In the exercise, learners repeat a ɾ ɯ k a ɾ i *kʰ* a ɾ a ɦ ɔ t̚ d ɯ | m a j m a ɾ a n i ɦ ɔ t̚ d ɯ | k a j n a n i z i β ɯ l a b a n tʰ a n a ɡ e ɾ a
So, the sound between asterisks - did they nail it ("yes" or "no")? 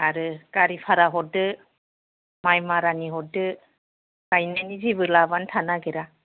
no